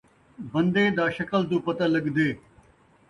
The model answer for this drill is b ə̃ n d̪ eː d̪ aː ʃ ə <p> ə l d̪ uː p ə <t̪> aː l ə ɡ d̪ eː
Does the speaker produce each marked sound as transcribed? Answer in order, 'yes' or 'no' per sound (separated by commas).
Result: no, yes